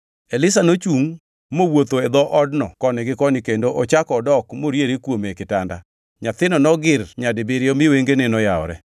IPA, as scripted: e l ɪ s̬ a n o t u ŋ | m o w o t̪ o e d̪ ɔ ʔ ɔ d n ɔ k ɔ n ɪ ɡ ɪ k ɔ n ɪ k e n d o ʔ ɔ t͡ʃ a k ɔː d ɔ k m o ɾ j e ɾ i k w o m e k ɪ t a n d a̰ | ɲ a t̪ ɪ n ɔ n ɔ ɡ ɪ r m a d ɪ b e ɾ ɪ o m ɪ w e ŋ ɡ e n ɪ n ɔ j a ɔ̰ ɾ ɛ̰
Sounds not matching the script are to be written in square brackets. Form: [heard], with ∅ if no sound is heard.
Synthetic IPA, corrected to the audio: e l ɪ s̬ a n o [t͡ʃ] u ŋ | m o w o t̪ o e d̪ ɔ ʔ ɔ d n ɔ k ɔ n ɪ ɡ ɪ k ɔ n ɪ k e n d o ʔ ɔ t͡ʃ a k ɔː d ɔ k m o ɾ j e ɾ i k w o m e k ɪ t a n d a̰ | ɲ a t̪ ɪ n ɔ n ɔ ɡ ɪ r [ɲ] a d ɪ b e ɾ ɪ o m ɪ w e ŋ ɡ e n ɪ n ɔ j a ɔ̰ ɾ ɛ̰